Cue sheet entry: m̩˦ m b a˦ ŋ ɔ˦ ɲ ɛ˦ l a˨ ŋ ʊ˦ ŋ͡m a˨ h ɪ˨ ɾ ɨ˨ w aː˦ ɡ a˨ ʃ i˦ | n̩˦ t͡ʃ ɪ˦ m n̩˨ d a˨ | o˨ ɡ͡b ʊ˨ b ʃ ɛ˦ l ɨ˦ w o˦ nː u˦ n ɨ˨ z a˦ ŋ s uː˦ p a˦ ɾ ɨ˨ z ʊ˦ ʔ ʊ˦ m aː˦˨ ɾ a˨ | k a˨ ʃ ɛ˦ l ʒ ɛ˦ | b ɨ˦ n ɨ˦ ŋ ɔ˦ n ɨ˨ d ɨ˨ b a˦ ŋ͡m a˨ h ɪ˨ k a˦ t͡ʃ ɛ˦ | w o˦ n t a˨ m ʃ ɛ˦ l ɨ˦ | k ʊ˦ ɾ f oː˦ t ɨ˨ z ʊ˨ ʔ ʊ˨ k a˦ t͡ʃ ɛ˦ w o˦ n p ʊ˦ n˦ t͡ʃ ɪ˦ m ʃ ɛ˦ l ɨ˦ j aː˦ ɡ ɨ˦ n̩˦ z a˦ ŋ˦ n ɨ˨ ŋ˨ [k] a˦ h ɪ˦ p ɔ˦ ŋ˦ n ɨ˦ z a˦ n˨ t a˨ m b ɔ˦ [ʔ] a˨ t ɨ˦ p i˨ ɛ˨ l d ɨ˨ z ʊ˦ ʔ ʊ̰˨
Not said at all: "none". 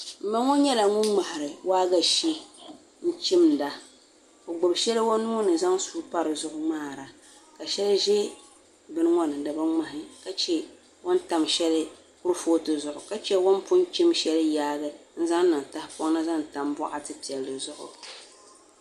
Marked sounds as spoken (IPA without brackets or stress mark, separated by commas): t, ʔ